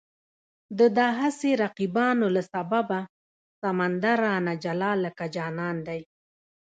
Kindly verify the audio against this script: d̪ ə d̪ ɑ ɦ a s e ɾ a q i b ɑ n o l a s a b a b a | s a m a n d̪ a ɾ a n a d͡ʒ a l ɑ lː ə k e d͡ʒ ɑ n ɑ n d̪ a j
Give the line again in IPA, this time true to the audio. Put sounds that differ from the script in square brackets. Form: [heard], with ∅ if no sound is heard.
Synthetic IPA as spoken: d̪ ə d̪ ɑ ɦ a s e ɾ a q i b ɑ n o l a s a b a b a | s a m a n d̪ a ɾ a n a d͡ʒ a l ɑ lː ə k [a] d͡ʒ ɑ n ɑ n d̪ a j